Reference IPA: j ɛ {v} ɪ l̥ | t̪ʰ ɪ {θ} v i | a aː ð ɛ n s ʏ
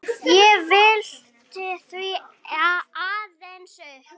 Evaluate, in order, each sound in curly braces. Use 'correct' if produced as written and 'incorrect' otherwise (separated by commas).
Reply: correct, correct